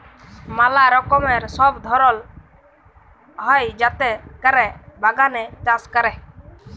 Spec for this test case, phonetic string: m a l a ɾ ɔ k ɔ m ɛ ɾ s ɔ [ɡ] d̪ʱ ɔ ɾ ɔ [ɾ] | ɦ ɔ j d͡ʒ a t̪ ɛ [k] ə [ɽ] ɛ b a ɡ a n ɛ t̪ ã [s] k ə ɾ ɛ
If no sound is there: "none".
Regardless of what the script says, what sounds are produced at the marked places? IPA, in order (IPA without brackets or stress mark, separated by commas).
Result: b, l, k, ɾ, s